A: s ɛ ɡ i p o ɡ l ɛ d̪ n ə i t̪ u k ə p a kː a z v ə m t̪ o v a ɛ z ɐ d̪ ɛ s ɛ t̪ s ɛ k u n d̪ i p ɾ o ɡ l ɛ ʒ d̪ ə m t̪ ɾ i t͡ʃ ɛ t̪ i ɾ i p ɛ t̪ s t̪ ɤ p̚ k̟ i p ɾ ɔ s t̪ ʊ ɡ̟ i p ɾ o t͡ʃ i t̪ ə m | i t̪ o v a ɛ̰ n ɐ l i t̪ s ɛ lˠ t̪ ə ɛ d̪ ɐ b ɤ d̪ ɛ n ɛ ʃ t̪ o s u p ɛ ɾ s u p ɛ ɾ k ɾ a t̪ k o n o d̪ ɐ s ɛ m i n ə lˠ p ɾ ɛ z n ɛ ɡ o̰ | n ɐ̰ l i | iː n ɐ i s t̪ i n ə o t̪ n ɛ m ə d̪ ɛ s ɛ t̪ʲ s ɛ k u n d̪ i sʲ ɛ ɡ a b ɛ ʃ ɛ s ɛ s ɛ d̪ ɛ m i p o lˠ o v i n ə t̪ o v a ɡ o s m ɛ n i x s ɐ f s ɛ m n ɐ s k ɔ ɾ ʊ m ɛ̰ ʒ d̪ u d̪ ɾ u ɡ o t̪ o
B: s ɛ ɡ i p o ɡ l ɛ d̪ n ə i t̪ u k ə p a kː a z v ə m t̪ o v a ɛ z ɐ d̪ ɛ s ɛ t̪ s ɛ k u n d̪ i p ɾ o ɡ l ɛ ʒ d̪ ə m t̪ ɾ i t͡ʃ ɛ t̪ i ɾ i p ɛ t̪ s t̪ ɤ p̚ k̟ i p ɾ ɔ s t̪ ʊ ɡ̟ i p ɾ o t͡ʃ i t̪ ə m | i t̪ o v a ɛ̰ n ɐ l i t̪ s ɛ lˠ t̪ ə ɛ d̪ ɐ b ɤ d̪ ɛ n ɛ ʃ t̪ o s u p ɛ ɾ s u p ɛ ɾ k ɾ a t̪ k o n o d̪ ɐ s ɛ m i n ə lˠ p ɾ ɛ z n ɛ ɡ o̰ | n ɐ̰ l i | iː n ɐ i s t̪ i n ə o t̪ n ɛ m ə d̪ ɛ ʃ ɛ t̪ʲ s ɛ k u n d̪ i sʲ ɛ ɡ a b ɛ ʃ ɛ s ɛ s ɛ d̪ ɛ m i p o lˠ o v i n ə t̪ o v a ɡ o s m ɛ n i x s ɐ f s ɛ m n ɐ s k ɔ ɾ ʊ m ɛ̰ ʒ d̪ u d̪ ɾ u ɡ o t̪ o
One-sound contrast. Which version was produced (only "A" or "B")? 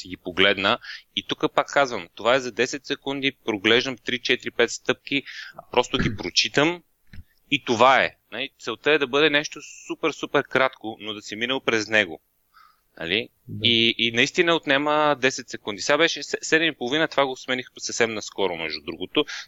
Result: A